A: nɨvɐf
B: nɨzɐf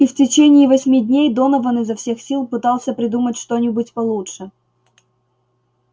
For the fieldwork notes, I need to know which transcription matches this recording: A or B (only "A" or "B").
B